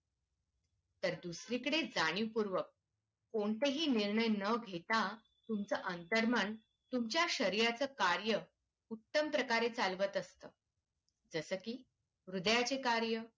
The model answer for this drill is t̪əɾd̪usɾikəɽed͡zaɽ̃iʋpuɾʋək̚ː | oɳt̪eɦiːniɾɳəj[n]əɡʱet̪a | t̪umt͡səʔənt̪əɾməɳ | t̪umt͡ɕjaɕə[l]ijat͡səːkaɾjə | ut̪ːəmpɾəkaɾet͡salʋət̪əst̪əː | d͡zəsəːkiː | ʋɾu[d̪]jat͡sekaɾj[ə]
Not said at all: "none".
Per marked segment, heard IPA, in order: n, ɾ, d̪, ə

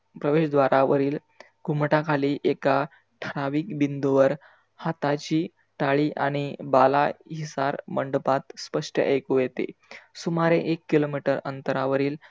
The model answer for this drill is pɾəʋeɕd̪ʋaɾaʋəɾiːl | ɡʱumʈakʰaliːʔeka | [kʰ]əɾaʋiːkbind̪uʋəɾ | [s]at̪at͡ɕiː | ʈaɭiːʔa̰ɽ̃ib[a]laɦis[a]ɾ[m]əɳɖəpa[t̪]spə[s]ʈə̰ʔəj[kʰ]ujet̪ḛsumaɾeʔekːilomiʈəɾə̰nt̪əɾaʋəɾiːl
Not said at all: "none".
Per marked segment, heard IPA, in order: ʈʰ, h, a, a, m, t̪, ʂ, k

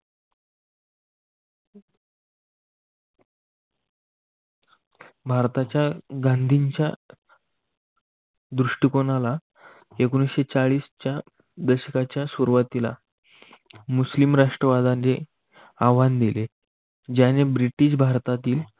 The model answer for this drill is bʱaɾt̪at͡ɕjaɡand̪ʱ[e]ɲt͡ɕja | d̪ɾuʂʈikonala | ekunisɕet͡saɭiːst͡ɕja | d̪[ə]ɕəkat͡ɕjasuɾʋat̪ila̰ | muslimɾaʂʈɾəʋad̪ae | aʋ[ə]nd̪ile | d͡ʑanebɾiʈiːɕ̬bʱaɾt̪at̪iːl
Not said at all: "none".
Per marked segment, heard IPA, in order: i, ə, a

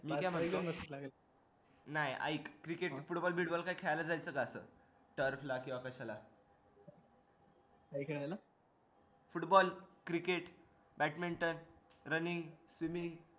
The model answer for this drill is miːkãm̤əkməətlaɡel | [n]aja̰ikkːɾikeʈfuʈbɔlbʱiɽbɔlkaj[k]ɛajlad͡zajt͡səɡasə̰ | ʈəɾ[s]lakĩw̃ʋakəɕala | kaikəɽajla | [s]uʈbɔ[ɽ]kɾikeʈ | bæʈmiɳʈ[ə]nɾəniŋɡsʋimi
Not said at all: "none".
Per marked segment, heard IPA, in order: n, kʰ, f, f, l, ə

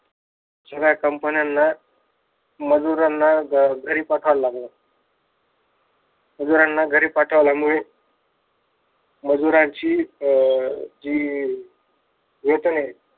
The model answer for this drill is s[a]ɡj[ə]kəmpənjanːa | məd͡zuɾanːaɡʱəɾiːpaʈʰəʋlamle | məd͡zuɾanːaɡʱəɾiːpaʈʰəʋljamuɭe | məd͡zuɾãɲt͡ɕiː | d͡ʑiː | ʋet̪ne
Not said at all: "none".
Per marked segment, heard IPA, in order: ə, a

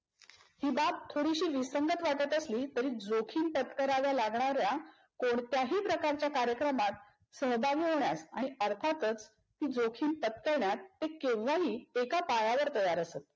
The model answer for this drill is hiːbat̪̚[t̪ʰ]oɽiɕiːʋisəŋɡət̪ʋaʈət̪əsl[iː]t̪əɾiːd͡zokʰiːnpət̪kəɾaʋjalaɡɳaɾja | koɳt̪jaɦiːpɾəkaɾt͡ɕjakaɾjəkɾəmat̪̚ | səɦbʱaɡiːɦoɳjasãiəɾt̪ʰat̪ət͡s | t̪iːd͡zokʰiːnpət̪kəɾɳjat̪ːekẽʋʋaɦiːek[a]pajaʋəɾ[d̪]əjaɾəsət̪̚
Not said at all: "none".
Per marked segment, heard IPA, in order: t̪ʰ, iː, a, t̪

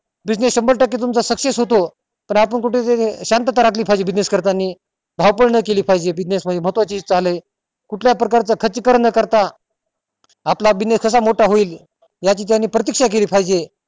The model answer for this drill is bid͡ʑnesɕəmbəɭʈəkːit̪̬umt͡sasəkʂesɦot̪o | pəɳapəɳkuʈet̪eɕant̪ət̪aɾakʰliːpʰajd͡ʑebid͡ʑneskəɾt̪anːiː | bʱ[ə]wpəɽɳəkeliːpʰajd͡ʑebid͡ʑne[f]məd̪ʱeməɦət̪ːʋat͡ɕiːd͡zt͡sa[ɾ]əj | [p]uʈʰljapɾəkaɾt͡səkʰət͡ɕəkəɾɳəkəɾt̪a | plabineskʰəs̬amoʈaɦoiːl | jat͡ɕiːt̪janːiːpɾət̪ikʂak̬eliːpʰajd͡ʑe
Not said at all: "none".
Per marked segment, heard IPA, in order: a, s, l, k

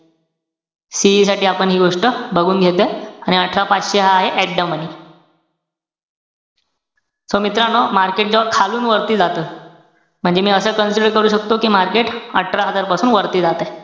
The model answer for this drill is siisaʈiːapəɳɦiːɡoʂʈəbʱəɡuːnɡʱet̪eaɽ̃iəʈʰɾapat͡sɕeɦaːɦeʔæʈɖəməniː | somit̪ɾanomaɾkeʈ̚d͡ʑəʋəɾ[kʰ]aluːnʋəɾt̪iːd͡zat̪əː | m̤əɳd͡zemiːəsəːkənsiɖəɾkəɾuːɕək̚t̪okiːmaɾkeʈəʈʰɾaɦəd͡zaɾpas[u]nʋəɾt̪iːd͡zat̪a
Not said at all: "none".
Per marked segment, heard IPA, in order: kʰ, uː

